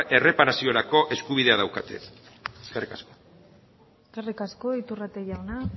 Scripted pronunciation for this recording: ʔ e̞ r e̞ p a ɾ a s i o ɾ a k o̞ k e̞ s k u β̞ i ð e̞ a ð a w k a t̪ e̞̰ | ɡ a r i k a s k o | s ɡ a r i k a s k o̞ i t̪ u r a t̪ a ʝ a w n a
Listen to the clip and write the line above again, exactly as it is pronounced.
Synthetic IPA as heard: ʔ e̞ r e̞ p a ɾ a s i o ɾ a k o̞ ʔ e̞ s k u β̞ i ð e̞ a ð a w k a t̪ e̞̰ | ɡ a r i k a s k o | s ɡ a r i k a s k o̞ i t̪ u r a t̪ e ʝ a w n a